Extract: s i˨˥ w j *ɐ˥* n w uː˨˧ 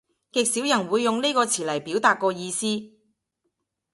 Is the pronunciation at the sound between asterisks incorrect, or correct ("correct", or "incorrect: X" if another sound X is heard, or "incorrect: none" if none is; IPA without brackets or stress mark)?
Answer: incorrect: ɐ˨˩